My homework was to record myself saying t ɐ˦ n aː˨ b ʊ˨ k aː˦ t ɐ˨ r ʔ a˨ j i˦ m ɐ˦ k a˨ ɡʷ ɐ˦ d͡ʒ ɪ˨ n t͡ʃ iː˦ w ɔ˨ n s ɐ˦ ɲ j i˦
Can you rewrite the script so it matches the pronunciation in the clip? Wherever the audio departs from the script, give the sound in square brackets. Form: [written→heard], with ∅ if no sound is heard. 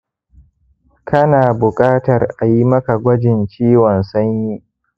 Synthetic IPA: [t→k] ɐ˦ n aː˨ b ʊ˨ [k→kʼ] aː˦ t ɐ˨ r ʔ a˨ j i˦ m ɐ˦ k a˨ ɡʷ ɐ˦ d͡ʒ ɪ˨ n t͡ʃ iː˦ w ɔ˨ n s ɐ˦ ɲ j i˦